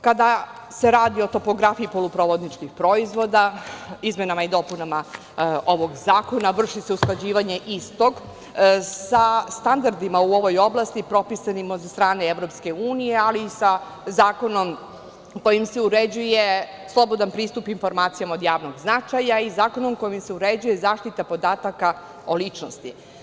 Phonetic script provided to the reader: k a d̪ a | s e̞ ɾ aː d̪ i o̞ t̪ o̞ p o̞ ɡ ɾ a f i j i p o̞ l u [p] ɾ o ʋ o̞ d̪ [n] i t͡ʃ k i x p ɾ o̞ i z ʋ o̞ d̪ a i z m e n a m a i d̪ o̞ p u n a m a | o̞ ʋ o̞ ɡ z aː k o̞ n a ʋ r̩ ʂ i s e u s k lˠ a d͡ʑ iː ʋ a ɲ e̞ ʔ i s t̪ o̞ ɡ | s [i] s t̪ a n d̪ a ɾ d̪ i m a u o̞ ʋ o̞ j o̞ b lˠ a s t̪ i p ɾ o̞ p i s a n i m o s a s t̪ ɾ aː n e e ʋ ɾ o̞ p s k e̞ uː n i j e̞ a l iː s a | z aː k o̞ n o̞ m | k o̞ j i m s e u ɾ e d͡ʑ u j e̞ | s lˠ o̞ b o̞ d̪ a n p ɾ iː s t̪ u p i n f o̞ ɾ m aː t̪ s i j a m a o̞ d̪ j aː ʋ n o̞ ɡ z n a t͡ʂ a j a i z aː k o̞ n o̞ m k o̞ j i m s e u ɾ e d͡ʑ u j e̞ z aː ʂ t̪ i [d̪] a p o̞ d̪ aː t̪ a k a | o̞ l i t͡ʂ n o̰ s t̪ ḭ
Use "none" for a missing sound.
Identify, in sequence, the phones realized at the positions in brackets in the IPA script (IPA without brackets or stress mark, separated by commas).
p, n, a, t̪